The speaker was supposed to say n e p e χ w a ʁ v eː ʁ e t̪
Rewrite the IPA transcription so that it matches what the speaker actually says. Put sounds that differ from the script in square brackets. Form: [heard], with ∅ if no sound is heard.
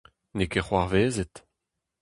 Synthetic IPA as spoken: n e [k] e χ w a ʁ v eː [z] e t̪